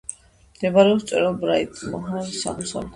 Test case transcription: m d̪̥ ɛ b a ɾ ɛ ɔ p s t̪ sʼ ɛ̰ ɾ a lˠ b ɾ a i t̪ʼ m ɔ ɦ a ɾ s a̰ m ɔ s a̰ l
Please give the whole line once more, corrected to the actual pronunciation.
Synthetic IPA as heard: m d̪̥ ɛ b a ɾ ɛ ɔ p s t̪ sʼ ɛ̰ ɾ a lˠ b ɾ a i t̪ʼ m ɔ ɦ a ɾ s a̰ m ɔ s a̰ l